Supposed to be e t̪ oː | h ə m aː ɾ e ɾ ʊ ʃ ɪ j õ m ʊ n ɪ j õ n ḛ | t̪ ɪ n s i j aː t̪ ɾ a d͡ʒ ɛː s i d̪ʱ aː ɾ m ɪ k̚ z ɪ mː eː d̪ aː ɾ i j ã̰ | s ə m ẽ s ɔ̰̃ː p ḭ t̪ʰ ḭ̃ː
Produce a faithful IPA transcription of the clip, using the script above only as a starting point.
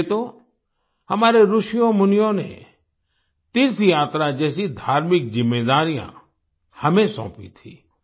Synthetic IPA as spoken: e t̪ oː | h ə m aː ɾ e ɾ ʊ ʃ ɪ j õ m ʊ n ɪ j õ n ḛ | t̪ ɪ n s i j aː t̪ ɾ a d͡ʒ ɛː s i d̪ʱ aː ɾ m ɪ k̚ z ɪ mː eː d̪ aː ɾ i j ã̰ | h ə m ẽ s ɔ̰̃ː p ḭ t̪ʰ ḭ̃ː

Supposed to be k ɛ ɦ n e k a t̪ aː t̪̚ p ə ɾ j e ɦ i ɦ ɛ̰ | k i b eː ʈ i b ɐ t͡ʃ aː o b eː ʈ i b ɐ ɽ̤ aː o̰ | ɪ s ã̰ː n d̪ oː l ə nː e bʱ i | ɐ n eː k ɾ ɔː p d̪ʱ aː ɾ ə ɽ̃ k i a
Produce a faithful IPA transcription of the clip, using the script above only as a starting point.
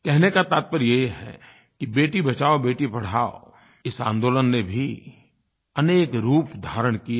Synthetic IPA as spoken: k ɛ ɦ n e k a t̪ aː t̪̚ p ə ɾ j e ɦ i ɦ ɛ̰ | k i b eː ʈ i b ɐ t͡ʃ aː o b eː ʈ i p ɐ ɽ̤ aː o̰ | ɪ s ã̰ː n d̪ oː l ə nː e bʱ i | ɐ n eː k ɾ uː p d̪ʱ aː ɾ ə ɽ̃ k i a

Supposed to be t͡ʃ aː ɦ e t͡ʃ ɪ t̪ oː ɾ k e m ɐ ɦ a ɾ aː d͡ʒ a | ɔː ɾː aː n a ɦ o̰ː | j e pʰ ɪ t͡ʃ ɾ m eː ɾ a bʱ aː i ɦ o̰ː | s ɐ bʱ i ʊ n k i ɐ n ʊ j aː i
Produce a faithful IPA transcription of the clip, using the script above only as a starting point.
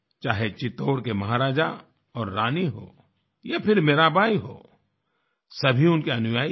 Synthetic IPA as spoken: t͡ʃ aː ɦ e t͡ʃ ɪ t̪ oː ɽ k e m ɐ ɦ a ɾ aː d͡ʒ a | ɔː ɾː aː n i ɦ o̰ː | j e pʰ ɪ ɾ m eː ɾ a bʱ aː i ɦ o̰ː | s ɐ bʱ i ʊ n k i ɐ n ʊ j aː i

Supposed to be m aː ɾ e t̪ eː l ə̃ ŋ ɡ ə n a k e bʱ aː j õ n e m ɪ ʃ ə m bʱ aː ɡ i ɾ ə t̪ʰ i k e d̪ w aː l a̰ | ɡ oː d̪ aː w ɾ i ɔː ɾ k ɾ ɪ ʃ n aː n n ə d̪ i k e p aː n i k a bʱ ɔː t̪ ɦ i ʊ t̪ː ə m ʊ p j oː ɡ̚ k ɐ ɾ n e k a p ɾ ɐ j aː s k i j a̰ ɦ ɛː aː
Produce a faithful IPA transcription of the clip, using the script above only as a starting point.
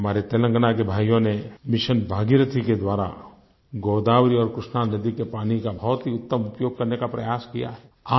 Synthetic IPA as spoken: m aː ɾ e t̪ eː l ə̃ ŋ ɡ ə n a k e bʱ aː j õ n e m ɪ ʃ ə n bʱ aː ɡ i ɾ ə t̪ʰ i k e d̪ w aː ɾ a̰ | ɡ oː d̪ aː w ɾ i ɔː ɾ k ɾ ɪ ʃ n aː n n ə d̪ i k e p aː n i k a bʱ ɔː t̪ ɦ i ʊ t̪ː ə m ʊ p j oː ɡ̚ k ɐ ɾ n e k a p ɾ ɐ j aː s k i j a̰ ɦ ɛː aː

